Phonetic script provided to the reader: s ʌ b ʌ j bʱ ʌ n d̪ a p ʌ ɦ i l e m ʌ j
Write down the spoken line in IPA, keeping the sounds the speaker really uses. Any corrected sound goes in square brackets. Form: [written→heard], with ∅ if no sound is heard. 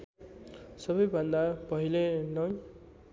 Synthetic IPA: s ʌ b ʌ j bʱ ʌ n d̪ a p ʌ ɦ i l e [m→n] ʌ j